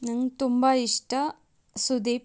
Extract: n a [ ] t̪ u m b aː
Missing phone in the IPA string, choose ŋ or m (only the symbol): ŋ